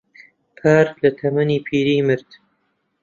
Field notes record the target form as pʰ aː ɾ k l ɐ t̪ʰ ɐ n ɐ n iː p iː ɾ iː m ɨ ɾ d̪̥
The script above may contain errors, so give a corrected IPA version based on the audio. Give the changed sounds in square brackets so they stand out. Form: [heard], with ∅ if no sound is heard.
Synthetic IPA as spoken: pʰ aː ɾ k l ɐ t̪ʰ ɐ [m] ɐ n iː [pʰ] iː ɾ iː m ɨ ɾ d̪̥